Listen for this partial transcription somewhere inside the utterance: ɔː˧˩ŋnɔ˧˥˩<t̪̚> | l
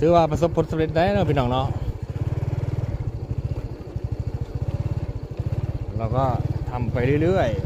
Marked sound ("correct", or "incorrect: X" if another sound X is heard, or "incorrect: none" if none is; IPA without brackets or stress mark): incorrect: none